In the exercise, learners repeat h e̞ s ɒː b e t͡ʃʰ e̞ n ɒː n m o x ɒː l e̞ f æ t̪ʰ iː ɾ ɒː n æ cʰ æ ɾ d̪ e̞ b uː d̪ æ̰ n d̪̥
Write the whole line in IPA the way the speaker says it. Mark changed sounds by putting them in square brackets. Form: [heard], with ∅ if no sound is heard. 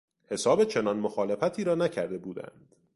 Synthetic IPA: h e̞ s ɒː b e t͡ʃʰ e̞ n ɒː n m o x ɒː l e̞ f æ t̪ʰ iː ɾ ɒː n æ cʰ æ ɾ d̪ e̞ b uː d̪ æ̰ n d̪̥